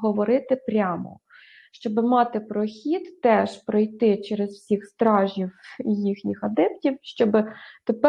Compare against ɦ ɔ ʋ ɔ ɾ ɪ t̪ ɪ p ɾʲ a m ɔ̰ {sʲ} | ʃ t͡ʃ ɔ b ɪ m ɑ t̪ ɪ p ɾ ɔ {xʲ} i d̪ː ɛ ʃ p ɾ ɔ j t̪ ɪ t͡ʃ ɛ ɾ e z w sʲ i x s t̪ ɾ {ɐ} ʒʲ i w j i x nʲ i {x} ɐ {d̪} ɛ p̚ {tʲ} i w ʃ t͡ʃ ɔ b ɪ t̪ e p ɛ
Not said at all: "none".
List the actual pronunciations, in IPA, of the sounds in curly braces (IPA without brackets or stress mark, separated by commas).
none, xʲ, ɑ, x, d̪, tʲ